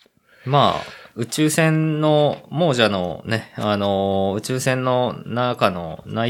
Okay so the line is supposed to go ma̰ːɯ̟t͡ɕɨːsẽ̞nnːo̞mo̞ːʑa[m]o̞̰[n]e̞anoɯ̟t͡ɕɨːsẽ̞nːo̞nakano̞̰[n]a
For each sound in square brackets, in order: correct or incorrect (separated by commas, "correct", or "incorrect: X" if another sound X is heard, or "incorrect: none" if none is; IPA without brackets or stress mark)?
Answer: incorrect: n, correct, correct